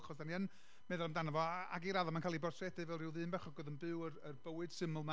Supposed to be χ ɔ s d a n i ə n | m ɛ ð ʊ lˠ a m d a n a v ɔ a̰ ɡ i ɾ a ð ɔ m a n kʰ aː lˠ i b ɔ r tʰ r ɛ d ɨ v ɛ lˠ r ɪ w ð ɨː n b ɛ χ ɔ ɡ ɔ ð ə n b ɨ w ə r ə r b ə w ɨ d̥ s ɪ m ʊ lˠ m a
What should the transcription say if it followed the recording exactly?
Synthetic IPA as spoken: χ ɔ s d a n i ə n | m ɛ ð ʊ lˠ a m d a n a v ɔ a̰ ɡ i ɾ a ð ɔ m a n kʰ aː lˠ i b ɔ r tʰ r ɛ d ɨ v ɛ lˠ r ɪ w ð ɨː n b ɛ χ ɔ ɡ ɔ ð ə n b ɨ w ə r ə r b ə w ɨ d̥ s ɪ m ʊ lˠ m a